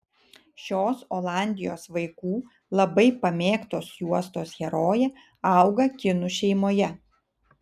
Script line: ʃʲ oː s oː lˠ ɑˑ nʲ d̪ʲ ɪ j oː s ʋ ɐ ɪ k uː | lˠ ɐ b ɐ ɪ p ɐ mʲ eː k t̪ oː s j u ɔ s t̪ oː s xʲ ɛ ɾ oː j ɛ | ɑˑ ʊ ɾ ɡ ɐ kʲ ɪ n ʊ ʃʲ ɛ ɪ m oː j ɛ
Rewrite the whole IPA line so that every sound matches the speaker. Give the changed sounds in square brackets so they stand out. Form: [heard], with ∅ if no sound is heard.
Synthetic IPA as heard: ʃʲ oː s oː lˠ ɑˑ nʲ d̪ʲ ɪ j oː s ʋ ɐ ɪ k uː | lˠ ɐ b ɐ ɪ p ɐ mʲ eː k t̪ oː s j u ɔ s t̪ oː s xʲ ɛ ɾ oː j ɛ | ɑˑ ʊ [∅] ɡ ɐ kʲ ɪ n ʊ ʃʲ ɛ ɪ m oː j ɛ